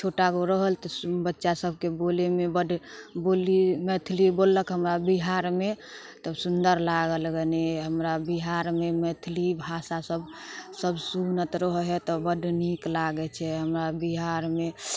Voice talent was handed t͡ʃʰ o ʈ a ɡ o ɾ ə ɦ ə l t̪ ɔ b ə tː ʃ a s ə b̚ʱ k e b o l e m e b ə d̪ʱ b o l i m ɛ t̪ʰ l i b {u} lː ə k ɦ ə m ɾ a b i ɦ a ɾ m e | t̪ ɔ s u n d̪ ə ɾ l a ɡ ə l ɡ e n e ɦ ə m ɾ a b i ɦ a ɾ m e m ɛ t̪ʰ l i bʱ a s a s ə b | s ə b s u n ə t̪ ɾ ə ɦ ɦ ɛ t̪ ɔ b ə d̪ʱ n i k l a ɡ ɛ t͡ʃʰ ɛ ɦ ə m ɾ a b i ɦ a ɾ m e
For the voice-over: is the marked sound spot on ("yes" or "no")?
no